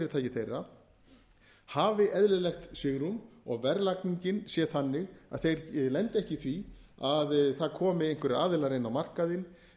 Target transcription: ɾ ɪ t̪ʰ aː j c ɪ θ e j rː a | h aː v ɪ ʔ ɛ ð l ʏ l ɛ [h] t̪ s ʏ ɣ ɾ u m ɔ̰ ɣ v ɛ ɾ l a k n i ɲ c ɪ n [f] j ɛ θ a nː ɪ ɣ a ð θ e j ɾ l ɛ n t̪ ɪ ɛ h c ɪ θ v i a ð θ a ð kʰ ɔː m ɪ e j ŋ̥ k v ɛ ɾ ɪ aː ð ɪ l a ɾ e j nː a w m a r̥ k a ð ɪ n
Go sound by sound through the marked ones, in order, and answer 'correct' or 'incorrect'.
incorrect: x, incorrect: s

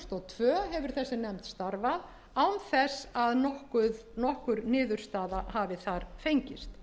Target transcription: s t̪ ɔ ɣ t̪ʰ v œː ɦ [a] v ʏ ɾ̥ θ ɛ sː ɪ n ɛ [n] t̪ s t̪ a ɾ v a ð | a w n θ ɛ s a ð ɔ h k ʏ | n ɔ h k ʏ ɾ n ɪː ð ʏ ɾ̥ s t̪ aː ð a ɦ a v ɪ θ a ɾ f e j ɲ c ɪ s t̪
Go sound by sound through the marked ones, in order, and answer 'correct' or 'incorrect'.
incorrect: ɛ, incorrect: m

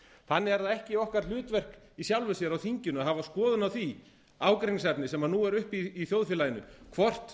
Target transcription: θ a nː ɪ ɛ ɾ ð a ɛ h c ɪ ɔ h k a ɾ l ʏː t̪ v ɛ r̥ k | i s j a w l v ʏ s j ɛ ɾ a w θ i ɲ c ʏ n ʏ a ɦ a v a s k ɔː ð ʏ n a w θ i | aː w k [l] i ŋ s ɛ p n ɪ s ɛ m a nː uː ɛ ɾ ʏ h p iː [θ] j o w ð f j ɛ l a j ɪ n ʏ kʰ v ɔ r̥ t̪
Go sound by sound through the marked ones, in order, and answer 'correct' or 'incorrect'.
incorrect: ɾ, correct

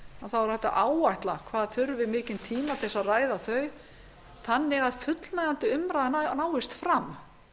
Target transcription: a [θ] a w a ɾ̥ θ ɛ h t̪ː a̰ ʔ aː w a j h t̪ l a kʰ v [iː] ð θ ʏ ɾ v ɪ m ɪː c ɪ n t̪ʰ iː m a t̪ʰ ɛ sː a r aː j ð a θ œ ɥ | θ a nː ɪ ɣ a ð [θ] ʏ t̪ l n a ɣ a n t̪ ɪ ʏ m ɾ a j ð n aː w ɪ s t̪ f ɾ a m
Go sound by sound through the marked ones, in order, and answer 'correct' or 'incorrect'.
correct, incorrect: aː, incorrect: f

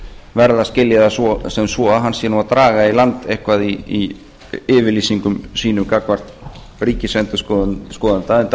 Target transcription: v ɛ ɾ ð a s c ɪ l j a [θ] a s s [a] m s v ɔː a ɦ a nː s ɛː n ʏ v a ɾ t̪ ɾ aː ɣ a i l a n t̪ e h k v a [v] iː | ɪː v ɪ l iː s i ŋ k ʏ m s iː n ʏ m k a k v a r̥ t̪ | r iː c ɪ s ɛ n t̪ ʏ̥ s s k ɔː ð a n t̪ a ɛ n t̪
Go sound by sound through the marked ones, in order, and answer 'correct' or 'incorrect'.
incorrect: ð, incorrect: ɛ, incorrect: ð

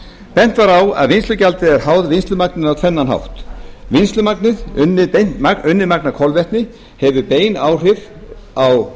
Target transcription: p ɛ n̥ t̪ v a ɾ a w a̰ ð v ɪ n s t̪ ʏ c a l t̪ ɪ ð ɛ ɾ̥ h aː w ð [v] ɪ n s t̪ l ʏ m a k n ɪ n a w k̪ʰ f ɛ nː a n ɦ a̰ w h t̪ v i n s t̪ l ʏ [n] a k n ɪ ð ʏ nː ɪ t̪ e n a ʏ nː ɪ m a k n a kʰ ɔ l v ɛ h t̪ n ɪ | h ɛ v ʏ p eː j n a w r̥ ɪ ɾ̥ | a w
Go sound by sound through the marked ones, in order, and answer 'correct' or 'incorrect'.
correct, incorrect: m

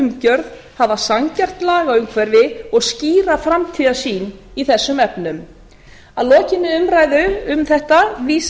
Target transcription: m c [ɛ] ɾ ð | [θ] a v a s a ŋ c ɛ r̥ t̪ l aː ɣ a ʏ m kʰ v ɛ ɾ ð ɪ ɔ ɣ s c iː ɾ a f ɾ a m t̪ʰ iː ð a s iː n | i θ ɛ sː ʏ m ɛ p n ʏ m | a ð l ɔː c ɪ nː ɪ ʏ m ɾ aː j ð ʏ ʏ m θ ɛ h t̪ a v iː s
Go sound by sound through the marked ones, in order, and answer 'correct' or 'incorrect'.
incorrect: œ, incorrect: h

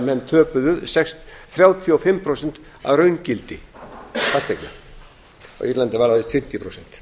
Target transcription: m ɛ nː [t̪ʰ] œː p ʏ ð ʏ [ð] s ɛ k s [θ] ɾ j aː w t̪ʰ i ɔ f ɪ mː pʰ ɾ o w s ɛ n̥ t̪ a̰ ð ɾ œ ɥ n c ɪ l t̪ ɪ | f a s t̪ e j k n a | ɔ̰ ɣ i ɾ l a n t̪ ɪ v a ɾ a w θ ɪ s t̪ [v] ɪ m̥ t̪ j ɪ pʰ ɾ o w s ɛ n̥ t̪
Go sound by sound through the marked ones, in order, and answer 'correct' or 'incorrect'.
correct, correct, correct, incorrect: f

